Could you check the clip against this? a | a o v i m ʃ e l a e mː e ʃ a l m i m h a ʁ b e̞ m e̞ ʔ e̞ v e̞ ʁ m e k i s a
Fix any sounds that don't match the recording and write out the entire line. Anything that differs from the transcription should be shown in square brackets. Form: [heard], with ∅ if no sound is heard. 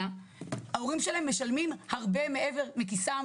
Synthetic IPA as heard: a | a o [ʁ] i m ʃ e l a e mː e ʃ a l m i m h a ʁ b e̞ m e̞ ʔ e̞ v e̞ ʁ m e k i s a

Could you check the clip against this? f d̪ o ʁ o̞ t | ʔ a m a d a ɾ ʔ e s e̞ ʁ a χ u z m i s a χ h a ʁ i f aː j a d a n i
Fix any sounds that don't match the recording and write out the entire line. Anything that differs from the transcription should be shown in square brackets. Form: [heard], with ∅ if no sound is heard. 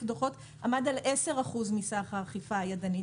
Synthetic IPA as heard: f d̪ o [χ] o̞ t | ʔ a m a d a [l] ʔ e s e̞ ʁ a χ u z m i s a χ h a [χ] i f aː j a d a n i

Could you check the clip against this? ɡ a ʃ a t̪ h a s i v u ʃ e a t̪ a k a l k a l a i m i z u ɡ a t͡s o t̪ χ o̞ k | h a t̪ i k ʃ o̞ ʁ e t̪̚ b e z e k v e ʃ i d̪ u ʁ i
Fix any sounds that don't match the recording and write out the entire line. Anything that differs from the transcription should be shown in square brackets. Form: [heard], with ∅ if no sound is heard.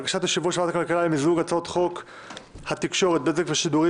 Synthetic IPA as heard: ɡ a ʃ a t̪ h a [ʃ] i v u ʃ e a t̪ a k a l k a l a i m i z u ɡ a t͡s o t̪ χ o̞ k | h a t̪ i k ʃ o̞ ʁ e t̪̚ b e z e k v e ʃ i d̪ u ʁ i

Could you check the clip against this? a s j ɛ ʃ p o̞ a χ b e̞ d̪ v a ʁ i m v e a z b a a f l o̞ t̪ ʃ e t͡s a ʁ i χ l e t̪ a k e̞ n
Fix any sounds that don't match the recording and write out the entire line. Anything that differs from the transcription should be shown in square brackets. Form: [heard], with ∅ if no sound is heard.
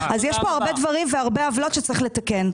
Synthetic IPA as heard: a [z] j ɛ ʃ p o̞ a [ʁ] b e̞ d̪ v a ʁ i m v e a [ʁ] b [e] a [v] l o̞ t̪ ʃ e t͡s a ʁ i χ l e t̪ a k e̞ n

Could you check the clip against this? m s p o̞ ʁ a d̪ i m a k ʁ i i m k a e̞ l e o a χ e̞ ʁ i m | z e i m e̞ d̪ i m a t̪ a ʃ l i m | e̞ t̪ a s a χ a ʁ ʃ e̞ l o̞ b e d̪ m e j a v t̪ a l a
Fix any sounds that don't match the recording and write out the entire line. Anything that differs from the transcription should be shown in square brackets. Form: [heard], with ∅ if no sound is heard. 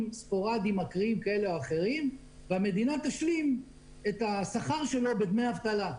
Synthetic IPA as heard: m s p o̞ ʁ a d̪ i m a k ʁ i i m k a e̞ l e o a χ e̞ ʁ i m | [v] e [a] m e̞ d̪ i [n] a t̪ a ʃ l i m | e̞ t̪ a s a χ a ʁ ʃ e̞ l o̞ b e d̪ m e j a v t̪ a l a

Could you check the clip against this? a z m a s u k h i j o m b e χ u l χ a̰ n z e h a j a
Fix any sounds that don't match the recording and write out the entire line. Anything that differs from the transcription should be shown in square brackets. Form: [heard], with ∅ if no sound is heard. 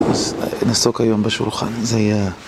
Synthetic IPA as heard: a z [n] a s [o] k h [a] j o m b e [ʃ] u l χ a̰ n z e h a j a

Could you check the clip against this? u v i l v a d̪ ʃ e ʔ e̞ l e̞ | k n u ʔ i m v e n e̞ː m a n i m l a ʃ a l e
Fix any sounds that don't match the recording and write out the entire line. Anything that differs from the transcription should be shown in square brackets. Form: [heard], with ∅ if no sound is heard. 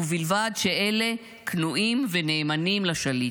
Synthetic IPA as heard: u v i l v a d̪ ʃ e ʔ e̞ l e̞ | k n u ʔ i m v e n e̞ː m a n i m l a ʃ a l [i]

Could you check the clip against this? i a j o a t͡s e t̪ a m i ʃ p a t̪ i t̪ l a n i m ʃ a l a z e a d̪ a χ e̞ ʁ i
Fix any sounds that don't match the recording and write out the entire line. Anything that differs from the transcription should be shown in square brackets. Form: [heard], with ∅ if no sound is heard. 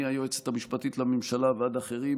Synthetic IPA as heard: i a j o [e] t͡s e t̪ a m i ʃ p a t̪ i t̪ l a [m] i m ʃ a l a [v] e a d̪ a χ e̞ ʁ i

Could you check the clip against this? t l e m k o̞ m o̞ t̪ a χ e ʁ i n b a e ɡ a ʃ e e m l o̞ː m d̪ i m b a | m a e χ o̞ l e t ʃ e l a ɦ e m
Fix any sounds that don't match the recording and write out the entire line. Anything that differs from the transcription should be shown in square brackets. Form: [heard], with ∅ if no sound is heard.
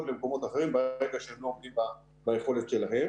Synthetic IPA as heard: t l e m k o̞ m o̞ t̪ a χ e ʁ i [m] b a e ɡ a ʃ e e m l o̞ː m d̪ i m b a | [b] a e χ o̞ l e t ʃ e l a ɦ e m

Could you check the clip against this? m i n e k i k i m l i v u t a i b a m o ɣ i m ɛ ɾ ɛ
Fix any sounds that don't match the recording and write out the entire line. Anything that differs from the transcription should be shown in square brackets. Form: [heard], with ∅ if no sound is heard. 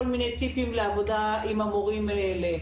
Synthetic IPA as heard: m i n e [t] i [p] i m l [a] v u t a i [m] a m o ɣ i m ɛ [l] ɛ

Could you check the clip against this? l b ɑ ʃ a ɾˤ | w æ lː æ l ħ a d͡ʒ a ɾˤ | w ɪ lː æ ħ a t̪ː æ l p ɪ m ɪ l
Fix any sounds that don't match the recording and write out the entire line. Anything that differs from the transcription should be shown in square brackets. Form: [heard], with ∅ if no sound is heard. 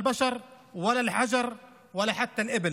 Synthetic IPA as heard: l b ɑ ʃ [ɑ] ɾˤ | w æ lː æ l ħ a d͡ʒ [ɑ] ɾˤ | w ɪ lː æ ħ a t̪ː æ l [ʔ] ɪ [b] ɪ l

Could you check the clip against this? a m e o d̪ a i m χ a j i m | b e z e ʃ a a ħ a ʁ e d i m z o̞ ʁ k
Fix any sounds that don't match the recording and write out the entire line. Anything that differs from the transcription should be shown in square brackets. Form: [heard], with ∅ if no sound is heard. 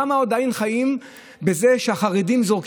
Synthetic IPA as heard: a m [a] o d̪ a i [n] χ a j i m | b e z e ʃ [e] a [χ] a ʁ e d i m z o̞ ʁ k

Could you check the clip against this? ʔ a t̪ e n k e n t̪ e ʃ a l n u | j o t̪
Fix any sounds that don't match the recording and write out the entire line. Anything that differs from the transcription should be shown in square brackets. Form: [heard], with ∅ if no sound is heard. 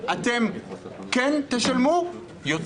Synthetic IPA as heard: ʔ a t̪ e [m] k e n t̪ e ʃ a l [m] u | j o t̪

